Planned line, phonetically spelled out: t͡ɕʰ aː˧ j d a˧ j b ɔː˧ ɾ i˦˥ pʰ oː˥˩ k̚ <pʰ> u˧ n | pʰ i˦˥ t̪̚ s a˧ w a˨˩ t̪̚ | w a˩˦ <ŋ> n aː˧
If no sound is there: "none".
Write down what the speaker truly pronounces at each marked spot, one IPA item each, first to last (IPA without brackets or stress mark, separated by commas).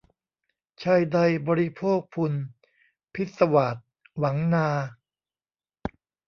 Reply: pʰ, ŋ